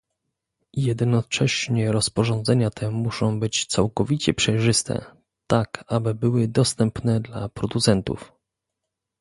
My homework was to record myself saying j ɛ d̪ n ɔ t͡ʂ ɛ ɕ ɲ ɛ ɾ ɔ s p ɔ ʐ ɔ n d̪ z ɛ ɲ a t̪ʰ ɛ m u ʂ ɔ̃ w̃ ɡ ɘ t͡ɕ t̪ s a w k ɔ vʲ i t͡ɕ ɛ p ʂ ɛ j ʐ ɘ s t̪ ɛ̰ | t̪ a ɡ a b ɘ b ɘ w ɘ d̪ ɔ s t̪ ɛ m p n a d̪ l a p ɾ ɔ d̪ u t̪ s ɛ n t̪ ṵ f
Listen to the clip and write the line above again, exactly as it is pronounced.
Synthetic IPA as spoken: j ɛ d̪ n ɔ t͡ʂ ɛ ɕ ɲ ɛ ɾ ɔ s p ɔ ʐ ɔ n d̪ z ɛ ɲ a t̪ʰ ɛ m u ʂ ɔ̃ w̃ b ɘ t͡ɕ t̪ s a w k ɔ vʲ i t͡ɕ ɛ p ʂ ɛ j ʐ ɘ s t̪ ɛ̰ | t̪ a k a b ɘ b ɘ w ɘ d̪ ɔ s t̪ ɛ m p n ɛ d̪ l a p ɾ ɔ d̪ u t̪ s ɛ n t̪ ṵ f

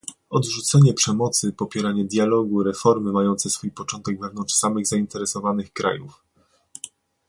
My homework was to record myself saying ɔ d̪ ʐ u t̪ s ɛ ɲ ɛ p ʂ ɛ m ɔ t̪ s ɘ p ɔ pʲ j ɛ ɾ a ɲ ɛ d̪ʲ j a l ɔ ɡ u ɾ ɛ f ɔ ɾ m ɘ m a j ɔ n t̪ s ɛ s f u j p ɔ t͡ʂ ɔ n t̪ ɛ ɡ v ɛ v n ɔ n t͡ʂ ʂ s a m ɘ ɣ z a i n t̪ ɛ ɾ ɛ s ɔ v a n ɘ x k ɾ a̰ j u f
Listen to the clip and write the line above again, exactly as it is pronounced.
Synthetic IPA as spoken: ɔ d̪ ʐ u t̪ s ɛ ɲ ɛ p ʂ ɛ m ɔ t̪ s ɘ p ɔ pʲ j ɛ ɾ a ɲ ɛ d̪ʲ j a l ɔ ɡ u ɾ ɛ f ɔ ɾ m ɘ m a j ɔ n t̪ s ɛ s f u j p ɔ t͡ʂ ɔ n t̪ ɛ ɡ v ɛ v n ɔ n t͡ʂ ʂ s a m ɘ ɣ z a i n t̪ ɛ ɾ ɛ s ɔ v a n ɘ x k ɾ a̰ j u f

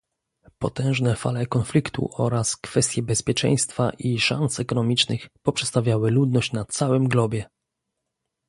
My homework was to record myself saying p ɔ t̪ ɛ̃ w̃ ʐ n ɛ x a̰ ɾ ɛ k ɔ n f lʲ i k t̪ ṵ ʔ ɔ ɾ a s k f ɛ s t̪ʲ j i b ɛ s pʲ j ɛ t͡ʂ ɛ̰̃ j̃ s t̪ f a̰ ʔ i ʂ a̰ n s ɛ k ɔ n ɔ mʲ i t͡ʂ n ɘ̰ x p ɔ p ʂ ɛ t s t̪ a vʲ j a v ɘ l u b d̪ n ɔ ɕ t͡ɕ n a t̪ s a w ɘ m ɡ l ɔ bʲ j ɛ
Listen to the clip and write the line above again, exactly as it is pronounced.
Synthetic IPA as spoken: p ɔ t̪ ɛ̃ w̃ ʐ n ɛ f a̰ l ɛ k ɔ n f lʲ i k t̪ ṵ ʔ ɔ ɾ a s k f ɛ s t̪ʲ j ɛ b ɛ s pʲ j ɛ t͡ʂ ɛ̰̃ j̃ s t̪ f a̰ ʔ i ʂ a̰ n s ɛ k ɔ n ɔ mʲ i t͡ʂ n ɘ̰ x p ɔ p ʂ ɛ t s t̪ a vʲ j a w ɘ l u d̪ n ɔ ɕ t͡ɕ n a t̪ s a w ɘ m ɡ l ɔ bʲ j ɛ

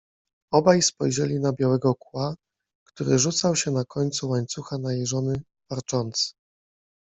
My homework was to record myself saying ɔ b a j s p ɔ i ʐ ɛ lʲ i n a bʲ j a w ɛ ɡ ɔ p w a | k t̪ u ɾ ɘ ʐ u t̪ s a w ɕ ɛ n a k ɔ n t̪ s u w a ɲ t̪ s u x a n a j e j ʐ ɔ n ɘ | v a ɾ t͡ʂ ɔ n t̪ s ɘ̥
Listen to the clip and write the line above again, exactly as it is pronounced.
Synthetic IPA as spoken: ɔ b a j s p ɔ j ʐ ɛ lʲ i n a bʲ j a w ɛ ɡ ɔ k w a | k t̪ u ɾ ɘ ʐ u t̪ s a w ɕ ɛ n a k ɔ ɲ t̪ s u w a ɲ t̪ s u x a n a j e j ʐ ɔ n ɘ | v a ɾ t͡ʂ ɔ n t̪ s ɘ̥

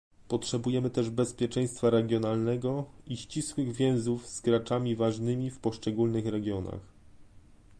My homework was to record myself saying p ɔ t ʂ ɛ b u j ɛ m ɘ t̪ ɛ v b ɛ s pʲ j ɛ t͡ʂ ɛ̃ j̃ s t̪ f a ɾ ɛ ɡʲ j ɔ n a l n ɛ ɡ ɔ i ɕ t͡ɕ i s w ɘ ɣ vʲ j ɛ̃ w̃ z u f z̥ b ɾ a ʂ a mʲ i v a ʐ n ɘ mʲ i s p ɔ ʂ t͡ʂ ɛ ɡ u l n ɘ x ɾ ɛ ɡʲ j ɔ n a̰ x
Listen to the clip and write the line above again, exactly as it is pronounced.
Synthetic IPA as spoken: p ɔ t ʂ ɛ b u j ɛ m ɘ t̪ ɛ ʐ b ɛ s pʲ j ɛ t͡ʂ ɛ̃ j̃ s t̪ f a ɾ ɛ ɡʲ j ɔ n a l n ɛ ɡ ɔ i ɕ t͡ɕ i s w ɘ ɣ vʲ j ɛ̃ w̃ z u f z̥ ɡ ɾ a t͡ʂ a mʲ i v a ʐ n ɘ mʲ i f p ɔ ʂ t͡ʂ ɛ ɡ u l n ɘ x ɾ ɛ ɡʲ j ɔ n a̰ x

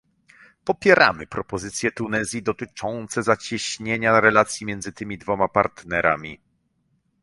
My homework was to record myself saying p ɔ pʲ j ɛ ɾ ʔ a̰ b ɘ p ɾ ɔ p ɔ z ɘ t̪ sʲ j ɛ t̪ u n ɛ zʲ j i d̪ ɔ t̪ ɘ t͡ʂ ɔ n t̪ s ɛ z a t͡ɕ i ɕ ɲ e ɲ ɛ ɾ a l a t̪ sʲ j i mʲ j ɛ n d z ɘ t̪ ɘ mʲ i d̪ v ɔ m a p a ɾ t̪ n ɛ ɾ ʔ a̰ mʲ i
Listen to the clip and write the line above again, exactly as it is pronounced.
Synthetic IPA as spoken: p ɔ pʲ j ɛ ɾ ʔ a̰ m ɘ p ɾ ɔ p ɔ z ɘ t̪ sʲ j ɛ t̪ u n ɛ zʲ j i d̪ ɔ t̪ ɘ t͡ʂ ɔ n t̪ s ɛ z a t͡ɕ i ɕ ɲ e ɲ a ɾ ɛ l a t̪ sʲ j i mʲ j ɛ n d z ɘ t̪ ɘ mʲ i d̪ v ɔ m a p a ɾ t̪ n ɛ ɾ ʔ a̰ mʲ i

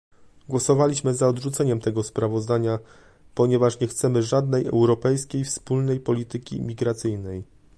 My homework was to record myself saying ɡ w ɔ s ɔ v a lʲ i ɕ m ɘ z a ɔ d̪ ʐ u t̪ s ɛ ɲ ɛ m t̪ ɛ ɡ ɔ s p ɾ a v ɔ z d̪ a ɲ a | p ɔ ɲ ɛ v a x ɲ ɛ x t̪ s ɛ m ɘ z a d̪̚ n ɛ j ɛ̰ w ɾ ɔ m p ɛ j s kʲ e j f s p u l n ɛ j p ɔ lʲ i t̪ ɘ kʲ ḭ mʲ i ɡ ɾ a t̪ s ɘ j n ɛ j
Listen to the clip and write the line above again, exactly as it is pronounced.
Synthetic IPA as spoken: ɡ w ɔ s ɔ v a lʲ i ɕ m ɘ z a ɔ d̪ ʐ u t̪ s ɛ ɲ ɛ m t̪ ɛ ɡ ɔ s p ɾ a v ɔ z d̪ a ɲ a | p ɔ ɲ ɛ v a ʂ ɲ ɛ x t̪ s ɛ m ɘ ʐ a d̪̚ n ɛ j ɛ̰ w ɾ ɔ p ɛ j s kʲ e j f s p u l n ɛ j p ɔ lʲ i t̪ ɘ kʲ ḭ mʲ i ɡ ɾ a t̪ s ɘ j n ɛ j

